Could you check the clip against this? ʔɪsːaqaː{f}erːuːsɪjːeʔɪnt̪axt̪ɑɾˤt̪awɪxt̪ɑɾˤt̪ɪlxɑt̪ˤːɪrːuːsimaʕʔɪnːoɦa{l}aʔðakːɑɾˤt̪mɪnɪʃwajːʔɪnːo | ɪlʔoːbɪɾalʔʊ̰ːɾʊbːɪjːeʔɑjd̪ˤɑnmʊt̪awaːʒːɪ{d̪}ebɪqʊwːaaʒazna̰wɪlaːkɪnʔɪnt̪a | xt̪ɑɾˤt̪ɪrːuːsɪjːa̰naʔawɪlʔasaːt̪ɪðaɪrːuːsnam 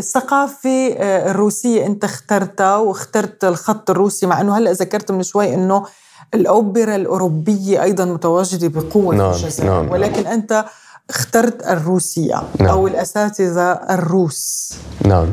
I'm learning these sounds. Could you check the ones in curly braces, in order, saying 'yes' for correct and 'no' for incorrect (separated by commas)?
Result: yes, no, yes